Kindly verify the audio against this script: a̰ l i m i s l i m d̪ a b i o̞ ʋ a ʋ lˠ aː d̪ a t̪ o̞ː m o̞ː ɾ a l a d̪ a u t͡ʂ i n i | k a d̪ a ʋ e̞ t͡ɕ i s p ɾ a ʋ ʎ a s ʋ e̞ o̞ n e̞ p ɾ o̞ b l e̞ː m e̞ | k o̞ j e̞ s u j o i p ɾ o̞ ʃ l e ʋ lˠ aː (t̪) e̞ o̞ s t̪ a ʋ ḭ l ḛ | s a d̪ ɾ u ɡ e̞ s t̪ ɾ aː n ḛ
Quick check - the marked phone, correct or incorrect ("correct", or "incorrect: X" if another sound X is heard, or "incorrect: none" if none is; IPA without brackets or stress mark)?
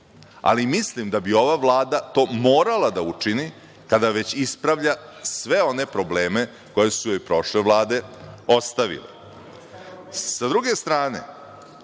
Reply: incorrect: d̪